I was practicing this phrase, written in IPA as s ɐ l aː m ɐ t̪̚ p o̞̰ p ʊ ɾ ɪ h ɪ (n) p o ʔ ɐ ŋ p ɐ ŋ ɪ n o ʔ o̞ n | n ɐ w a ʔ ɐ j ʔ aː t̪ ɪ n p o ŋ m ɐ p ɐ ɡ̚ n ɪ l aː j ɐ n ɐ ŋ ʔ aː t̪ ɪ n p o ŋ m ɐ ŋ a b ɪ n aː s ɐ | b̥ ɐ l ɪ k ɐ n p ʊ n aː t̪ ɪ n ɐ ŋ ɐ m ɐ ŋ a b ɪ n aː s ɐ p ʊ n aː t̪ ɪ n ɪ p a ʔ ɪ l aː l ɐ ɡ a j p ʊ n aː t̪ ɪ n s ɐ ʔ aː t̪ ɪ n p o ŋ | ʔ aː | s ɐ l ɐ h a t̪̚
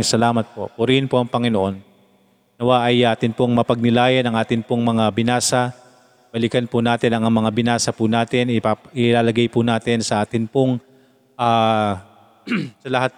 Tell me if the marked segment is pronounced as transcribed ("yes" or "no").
yes